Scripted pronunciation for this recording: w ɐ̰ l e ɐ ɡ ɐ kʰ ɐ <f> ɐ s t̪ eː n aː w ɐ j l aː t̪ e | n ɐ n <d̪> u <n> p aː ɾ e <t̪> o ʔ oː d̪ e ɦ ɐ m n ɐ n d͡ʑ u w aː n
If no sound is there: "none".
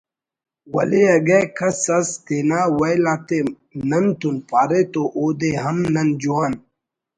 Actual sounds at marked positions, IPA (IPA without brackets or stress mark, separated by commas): s, t̪, n, t̪